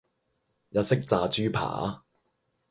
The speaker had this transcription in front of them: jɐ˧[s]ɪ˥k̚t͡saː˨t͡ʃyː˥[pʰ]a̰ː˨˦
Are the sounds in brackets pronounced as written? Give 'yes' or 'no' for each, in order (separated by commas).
yes, yes